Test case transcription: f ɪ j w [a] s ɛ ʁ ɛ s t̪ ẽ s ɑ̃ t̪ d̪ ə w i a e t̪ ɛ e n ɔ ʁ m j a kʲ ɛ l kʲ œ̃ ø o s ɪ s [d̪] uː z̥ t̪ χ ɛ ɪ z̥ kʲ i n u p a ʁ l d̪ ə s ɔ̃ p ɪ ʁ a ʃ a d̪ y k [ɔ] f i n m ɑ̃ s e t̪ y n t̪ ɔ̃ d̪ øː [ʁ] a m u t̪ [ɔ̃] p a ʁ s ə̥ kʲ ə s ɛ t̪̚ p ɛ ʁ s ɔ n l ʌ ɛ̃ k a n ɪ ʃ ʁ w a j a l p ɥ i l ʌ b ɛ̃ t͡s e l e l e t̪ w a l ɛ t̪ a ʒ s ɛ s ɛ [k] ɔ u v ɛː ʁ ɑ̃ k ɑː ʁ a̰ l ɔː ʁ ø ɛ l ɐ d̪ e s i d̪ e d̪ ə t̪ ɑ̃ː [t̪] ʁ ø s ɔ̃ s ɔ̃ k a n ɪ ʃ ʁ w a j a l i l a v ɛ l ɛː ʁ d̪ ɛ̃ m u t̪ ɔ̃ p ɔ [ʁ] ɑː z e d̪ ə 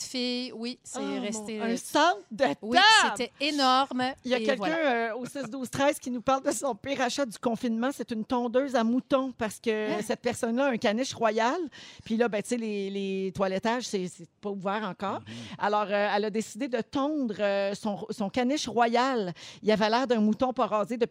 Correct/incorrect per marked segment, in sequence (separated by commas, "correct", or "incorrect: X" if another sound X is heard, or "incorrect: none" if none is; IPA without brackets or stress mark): incorrect: i, correct, incorrect: ɔ̃, incorrect: z, correct, incorrect: p, incorrect: d̪, correct